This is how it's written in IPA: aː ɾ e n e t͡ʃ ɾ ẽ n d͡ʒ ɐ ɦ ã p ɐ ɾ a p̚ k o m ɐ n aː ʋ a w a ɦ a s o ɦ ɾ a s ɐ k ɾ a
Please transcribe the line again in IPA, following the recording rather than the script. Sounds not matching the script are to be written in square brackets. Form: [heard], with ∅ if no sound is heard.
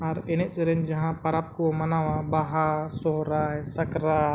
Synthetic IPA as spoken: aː ɾ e n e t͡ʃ ɾ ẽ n d͡ʒ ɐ ɦ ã p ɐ ɾ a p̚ k o m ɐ n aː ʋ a [b] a ɦ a s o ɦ ɾ a s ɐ k ɾ a